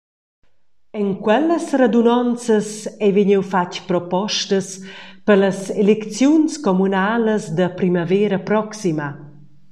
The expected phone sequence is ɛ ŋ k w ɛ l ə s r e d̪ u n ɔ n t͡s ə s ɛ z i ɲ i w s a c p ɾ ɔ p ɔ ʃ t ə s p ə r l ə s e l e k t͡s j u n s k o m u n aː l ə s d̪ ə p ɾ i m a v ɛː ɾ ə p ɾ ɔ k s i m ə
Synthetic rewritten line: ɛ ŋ k w ɛ l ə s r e d̪ u n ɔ n t͡s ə s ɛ v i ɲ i w f a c p ɾ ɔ p ɔ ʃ t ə s p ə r l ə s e l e k t͡s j u n s k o m u n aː l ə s d̪ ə p ɾ i m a v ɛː ɾ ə p ɾ ɔ k s i m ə